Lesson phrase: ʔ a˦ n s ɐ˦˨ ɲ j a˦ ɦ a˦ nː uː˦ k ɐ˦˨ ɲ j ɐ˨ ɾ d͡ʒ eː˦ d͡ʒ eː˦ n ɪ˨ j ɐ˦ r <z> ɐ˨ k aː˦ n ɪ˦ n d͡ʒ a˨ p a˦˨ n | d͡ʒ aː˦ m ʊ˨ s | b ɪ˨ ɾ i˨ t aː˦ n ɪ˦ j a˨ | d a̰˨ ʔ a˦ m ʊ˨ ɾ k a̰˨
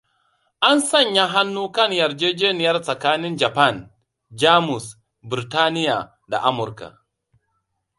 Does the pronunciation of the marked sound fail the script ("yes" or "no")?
yes